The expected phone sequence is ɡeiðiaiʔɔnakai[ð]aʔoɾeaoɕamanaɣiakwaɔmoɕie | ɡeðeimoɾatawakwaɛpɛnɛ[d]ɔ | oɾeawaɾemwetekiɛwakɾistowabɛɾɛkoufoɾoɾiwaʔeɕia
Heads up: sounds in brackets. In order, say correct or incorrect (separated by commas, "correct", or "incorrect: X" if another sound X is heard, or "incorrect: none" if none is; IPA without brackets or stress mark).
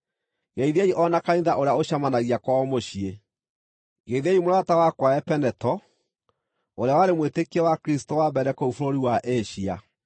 correct, incorrect: t